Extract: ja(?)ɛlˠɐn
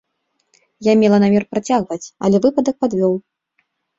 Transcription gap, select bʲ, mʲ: mʲ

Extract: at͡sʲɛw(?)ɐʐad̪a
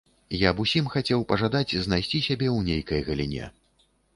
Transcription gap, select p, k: p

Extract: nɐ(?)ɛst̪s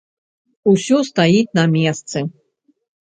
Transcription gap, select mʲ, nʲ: mʲ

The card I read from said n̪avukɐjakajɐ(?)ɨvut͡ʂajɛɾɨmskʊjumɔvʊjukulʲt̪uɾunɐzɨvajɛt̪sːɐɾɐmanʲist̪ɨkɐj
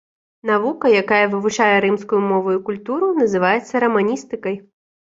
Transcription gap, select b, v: v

